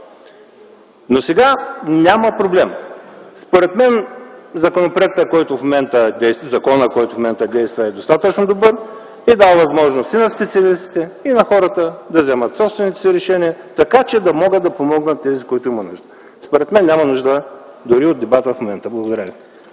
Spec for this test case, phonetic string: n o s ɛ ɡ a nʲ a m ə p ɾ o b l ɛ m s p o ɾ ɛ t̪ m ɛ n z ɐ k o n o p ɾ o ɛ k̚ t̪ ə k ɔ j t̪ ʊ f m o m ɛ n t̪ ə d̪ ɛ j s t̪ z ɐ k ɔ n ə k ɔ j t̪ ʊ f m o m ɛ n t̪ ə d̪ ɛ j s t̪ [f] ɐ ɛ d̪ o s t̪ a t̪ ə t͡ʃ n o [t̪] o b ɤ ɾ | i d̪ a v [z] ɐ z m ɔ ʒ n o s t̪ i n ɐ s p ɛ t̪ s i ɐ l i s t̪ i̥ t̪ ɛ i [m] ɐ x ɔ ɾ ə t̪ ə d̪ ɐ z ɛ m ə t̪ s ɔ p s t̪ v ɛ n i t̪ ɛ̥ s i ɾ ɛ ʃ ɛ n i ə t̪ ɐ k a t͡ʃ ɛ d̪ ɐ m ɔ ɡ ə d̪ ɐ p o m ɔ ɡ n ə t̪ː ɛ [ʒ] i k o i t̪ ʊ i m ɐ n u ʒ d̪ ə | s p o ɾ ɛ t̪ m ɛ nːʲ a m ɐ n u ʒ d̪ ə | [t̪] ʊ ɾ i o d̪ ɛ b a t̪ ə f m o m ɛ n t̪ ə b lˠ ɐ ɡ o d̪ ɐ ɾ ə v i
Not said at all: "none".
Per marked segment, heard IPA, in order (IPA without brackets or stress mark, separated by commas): v, d̪, v, n, z, d̪